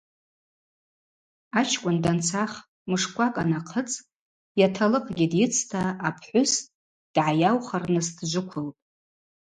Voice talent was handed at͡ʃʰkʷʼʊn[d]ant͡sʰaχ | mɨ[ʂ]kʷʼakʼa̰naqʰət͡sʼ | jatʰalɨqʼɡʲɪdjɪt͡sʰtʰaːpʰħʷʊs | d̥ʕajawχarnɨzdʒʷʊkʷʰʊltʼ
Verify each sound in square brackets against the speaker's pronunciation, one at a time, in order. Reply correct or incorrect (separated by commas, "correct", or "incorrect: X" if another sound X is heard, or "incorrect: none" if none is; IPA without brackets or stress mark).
correct, correct